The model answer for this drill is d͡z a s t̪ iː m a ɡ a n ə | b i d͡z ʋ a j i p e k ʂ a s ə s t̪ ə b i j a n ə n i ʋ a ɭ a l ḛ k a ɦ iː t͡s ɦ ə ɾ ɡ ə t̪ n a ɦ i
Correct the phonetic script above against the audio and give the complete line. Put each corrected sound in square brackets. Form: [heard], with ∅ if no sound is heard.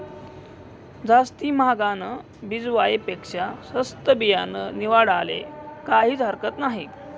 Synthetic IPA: d͡z a s t̪ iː m a ɡ a n ə | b i d͡z ʋ a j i p e k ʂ a s ə s t̪ ə b i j a n ə n i ʋ a [ɽ] a l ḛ k a ɦ iː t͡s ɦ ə ɾ [k] ə t̪ n a ɦ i

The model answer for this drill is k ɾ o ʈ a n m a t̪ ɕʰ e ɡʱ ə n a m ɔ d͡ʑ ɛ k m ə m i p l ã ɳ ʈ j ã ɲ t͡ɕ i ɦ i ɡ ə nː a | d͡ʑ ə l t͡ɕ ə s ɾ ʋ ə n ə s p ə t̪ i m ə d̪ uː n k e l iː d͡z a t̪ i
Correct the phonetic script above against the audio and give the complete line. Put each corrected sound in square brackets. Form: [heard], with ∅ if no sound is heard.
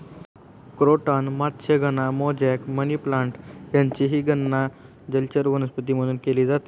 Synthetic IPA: k ɾ o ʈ a n m a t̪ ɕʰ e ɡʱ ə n a m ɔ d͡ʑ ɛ k m ə [n] i p l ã ɳ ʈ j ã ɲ t͡ɕ i ɦ i ɡ ə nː a | d͡ʑ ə l t͡ɕ ə [∅] ɾ ʋ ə n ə s p ə t̪ i m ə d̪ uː n k e l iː d͡z a t̪ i

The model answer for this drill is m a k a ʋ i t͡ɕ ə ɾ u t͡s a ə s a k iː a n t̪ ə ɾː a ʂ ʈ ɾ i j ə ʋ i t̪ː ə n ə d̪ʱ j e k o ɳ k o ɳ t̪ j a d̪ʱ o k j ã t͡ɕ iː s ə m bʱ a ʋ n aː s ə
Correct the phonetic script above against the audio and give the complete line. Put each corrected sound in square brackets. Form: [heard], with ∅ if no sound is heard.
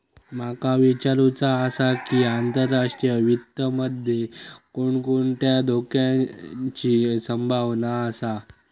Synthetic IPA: m a k a ʋ i t͡ɕ [a] ɾ u t͡s a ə s a k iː a n t̪ ə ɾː a ʂ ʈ ɾ i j ə ʋ i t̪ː ə [m] ə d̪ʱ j e k o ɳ k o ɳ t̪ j a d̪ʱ o k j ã t͡ɕ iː s ə m bʱ a ʋ n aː s [a]

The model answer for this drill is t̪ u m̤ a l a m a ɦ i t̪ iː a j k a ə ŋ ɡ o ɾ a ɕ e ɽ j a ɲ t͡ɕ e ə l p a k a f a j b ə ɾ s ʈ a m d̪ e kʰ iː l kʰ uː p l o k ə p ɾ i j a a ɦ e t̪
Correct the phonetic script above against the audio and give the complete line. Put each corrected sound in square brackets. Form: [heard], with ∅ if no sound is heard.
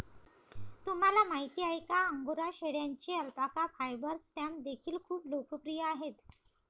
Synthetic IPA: t̪ u m̤ a l a m a ɦ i t̪ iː a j k a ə ŋ ɡ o ɾ a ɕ e ɽ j a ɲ t͡ɕ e ə l p a k a f a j b ə ɾ s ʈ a m d̪ e kʰ iː l kʰ uː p l o k ə p ɾ i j [ə] a ɦ e t̪

